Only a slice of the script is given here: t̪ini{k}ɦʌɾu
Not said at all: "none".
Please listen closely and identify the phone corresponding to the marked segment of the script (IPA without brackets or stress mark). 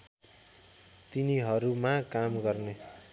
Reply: none